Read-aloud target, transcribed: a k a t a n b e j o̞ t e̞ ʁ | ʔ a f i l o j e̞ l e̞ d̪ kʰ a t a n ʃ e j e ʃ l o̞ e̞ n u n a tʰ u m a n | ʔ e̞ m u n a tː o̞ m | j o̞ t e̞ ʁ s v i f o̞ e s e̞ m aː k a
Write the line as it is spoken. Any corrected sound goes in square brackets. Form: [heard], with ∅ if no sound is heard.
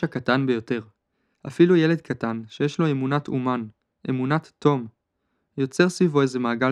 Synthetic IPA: a k a t a n b e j o̞ t e̞ ʁ | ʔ a f i l [u] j e̞ l e̞ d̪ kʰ a t a n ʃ e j e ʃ l o̞ e̞ [m] u n a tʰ u m a n | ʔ e̞ m u n a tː o̞ m | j o̞ [t͡s] e̞ ʁ s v i [v] o̞ e [z] e̞ m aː [ɡ] a